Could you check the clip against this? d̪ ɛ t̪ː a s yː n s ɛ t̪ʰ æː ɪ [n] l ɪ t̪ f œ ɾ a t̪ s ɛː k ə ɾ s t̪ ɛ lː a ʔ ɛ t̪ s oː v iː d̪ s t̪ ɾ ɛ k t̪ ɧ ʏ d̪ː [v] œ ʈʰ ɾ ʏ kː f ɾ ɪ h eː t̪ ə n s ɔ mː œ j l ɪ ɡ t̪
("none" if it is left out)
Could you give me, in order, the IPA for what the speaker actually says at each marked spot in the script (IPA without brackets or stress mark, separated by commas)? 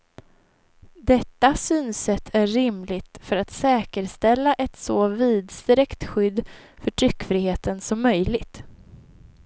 m, f